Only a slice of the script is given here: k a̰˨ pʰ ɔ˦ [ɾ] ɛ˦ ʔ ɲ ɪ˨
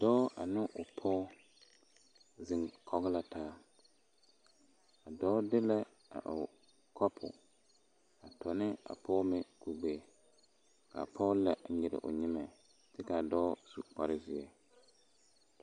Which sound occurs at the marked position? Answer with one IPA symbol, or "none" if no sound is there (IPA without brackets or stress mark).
l